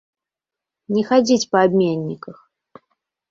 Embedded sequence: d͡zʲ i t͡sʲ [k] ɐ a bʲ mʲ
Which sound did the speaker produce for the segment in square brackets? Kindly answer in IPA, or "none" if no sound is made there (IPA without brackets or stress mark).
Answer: p